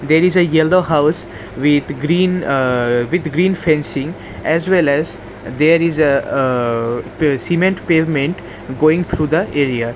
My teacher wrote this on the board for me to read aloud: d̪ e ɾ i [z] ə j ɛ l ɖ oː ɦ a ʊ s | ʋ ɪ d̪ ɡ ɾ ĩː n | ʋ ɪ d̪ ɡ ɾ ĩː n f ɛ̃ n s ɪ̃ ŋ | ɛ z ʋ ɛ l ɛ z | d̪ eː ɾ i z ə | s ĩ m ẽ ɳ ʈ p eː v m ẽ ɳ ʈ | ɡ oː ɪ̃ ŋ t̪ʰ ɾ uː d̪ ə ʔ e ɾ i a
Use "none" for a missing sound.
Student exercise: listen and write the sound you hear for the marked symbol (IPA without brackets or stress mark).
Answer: z